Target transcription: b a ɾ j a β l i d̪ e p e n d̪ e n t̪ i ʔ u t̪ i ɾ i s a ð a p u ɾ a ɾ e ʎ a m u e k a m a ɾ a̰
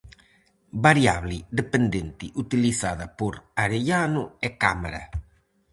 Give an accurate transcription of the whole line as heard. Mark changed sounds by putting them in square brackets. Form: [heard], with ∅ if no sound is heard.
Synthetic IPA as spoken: b a ɾ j a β l i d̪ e p e n d̪ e n t̪ i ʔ u t̪ i [l] i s a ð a p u ɾ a ɾ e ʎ a [n] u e k a m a ɾ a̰